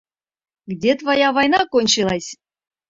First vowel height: mid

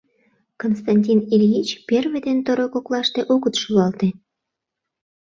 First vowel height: mid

